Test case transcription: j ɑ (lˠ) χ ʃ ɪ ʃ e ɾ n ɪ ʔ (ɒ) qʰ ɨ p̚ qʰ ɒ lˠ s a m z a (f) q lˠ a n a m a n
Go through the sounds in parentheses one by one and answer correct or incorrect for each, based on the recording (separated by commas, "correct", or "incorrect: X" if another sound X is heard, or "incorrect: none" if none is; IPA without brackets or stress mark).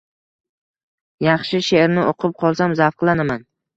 incorrect: none, incorrect: o, correct